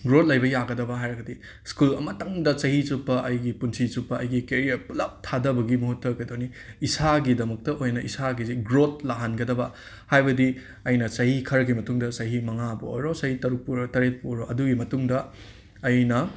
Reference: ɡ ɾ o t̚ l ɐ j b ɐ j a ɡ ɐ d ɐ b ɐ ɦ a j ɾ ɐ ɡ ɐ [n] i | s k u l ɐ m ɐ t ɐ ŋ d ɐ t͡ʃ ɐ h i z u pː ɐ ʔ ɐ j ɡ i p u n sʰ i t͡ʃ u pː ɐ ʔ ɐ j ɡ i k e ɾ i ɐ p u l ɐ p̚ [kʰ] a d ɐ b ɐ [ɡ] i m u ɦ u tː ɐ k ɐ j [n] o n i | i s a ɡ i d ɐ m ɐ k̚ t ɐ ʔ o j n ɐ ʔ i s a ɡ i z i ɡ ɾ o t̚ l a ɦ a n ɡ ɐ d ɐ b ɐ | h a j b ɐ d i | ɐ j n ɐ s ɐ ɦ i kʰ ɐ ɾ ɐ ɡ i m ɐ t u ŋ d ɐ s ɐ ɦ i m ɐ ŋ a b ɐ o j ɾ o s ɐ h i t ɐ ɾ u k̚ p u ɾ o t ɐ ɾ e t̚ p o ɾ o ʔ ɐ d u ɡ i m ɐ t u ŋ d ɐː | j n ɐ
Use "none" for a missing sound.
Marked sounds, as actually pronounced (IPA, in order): d, tʰ, ɡ, d

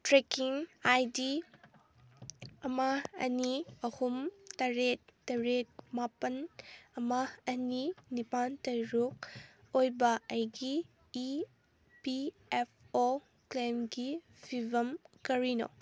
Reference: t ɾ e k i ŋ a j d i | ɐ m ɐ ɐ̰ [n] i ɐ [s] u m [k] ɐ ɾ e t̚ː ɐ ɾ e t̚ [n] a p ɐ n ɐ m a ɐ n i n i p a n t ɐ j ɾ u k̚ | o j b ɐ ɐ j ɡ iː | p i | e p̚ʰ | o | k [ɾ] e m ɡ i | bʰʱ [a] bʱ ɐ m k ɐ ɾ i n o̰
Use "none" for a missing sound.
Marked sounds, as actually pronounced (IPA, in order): n, h, t, m, l, i

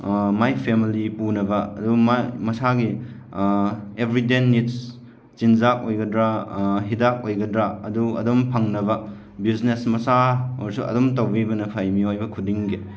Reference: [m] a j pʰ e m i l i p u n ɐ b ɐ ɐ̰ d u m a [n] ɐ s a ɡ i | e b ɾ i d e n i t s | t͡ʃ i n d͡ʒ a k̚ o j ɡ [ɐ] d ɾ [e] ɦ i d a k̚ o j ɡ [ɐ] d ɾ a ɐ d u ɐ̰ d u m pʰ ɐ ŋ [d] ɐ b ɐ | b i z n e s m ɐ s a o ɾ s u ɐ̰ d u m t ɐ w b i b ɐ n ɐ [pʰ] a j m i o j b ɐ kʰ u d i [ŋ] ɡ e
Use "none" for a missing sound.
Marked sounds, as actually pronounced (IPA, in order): m, m, ɐ, a, ɐ, n, pʰ, ŋ

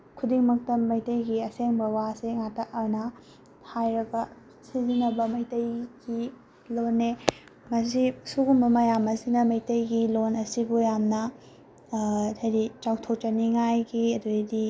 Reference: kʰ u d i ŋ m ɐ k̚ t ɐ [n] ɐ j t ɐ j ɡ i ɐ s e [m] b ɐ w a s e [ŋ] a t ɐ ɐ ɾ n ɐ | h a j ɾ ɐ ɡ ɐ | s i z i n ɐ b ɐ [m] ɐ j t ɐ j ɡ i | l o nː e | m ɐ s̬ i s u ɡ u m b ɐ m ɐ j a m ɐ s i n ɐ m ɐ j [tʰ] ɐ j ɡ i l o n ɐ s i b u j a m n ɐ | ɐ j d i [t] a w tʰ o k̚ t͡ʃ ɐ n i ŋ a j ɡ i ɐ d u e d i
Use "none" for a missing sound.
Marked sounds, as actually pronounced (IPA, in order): m, ŋ, ŋ, m, t, t͡ʃ

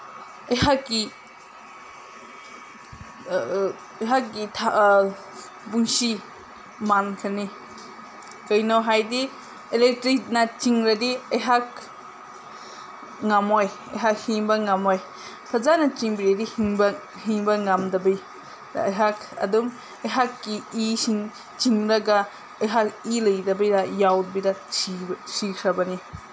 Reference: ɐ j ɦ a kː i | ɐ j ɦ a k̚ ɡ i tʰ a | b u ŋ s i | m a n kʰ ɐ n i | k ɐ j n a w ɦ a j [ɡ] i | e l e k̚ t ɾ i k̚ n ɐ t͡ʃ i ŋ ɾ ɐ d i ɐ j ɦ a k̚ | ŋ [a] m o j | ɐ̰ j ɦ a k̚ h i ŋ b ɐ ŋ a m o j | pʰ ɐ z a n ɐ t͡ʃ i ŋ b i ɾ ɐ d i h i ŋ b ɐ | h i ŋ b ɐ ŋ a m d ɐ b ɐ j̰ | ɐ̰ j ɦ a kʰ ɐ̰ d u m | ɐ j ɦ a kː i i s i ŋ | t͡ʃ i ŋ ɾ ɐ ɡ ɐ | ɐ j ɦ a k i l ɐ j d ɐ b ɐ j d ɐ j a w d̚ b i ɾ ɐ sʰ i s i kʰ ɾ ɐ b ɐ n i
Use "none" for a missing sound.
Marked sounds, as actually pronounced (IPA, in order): d, a

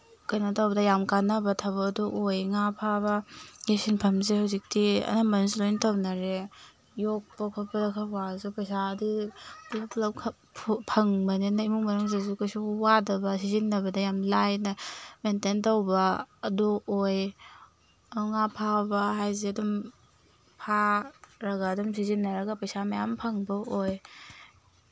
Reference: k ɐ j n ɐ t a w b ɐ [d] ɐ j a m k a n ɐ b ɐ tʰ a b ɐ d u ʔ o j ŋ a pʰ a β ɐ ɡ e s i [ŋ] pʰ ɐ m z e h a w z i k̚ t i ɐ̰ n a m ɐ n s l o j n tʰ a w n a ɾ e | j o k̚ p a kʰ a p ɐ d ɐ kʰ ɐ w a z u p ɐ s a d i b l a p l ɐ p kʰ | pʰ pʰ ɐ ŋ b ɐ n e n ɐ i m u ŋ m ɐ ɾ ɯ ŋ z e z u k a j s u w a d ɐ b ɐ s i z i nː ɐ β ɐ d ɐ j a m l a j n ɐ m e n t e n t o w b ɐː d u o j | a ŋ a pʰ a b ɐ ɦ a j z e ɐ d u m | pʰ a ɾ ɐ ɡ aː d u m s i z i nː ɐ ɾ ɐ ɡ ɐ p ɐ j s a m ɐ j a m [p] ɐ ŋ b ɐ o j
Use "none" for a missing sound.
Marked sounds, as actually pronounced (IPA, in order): d, n, pʰ

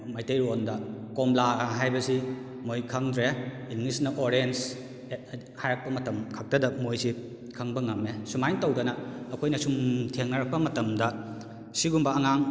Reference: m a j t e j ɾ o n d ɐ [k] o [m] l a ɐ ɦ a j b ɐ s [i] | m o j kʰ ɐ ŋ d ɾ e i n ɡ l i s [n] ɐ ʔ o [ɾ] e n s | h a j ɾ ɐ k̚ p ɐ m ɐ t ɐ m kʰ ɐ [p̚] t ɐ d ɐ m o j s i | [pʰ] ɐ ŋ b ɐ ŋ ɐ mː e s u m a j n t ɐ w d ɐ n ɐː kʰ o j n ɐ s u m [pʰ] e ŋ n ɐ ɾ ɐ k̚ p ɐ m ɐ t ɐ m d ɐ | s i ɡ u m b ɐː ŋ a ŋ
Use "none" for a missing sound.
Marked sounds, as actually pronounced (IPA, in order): k, m, i, n, ɾ, k̚, kʰ, tʰ

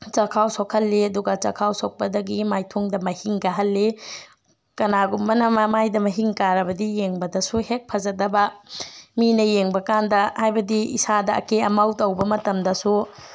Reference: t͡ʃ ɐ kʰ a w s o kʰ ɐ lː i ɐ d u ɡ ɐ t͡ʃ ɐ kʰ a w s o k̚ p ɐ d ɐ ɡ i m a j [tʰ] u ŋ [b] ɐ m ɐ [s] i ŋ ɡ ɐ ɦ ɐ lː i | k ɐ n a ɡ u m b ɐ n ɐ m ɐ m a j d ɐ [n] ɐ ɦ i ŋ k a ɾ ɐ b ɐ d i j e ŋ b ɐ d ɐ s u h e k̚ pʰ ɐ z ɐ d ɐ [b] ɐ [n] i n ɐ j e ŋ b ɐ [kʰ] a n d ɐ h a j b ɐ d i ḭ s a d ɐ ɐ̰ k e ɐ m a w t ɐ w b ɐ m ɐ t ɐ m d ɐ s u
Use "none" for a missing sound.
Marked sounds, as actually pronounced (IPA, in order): tʰ, d, h, m, b, m, k

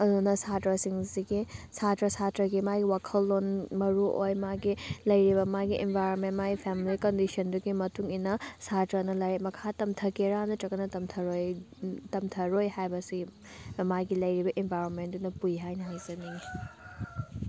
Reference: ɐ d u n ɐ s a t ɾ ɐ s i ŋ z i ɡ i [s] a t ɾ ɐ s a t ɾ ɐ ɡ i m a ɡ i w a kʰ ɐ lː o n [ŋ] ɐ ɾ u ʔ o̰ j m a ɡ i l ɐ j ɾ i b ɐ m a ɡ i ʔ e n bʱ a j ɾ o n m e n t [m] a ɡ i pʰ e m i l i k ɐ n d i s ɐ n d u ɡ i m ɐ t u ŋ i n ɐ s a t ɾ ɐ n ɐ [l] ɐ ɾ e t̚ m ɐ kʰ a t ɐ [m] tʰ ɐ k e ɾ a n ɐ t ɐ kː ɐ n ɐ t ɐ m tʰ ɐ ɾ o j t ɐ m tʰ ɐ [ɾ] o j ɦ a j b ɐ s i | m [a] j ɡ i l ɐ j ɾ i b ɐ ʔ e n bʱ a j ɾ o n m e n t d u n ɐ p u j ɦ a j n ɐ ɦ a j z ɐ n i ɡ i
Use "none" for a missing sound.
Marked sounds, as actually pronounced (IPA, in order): s, m, m, l, m, ɾ, a

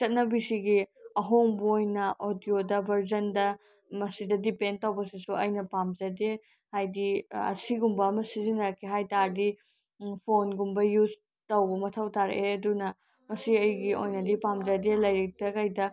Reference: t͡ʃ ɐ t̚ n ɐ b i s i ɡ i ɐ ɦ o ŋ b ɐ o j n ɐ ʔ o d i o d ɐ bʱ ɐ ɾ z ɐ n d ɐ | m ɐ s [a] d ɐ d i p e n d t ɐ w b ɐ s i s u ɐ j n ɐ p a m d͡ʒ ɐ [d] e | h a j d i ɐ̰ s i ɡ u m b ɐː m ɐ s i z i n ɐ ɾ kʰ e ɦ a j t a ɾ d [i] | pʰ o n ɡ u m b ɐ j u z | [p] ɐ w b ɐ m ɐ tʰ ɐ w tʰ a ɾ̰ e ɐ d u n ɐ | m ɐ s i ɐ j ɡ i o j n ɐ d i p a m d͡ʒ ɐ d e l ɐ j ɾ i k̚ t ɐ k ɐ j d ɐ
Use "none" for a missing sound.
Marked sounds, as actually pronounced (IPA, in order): i, d, i, t

